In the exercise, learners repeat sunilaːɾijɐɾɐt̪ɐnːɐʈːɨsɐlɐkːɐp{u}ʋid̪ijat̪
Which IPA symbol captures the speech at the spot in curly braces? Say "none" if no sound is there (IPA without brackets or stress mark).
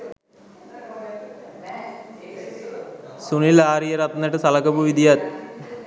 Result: u